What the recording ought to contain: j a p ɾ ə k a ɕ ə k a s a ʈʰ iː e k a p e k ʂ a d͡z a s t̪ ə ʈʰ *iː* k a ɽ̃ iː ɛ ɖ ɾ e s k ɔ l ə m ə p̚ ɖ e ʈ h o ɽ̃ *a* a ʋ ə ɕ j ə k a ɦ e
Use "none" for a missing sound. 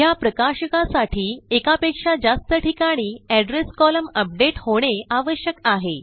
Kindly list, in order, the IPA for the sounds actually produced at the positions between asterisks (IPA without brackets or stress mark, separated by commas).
i, e